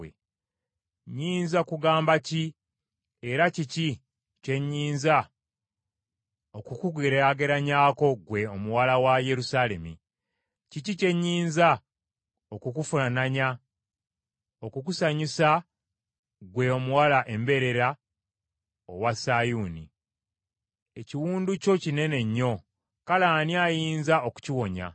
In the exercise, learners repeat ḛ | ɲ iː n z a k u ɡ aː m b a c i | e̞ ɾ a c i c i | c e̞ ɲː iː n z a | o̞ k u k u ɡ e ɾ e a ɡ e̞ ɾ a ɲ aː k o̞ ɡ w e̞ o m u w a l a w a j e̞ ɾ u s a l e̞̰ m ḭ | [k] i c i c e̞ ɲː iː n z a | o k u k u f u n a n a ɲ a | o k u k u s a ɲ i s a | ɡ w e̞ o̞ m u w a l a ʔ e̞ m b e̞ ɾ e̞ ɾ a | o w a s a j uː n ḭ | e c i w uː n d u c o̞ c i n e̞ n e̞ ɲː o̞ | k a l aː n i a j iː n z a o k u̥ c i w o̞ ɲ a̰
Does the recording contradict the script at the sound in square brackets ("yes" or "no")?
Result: yes